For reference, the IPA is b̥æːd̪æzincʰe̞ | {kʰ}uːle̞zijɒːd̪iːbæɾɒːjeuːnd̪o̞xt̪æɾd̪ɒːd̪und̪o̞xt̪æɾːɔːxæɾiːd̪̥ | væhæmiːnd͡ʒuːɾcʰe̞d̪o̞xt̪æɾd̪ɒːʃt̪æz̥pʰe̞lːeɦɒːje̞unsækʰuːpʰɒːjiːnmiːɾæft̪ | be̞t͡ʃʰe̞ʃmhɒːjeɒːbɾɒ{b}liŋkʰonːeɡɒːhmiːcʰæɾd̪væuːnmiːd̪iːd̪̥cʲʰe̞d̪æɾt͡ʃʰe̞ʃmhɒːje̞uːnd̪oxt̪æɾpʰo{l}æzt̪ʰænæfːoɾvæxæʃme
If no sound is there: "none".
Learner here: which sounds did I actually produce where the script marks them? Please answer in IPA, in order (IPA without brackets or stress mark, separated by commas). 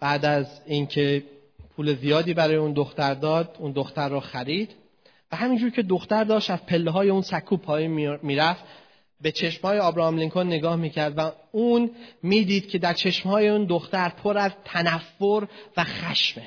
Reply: pʰ, m, ɾ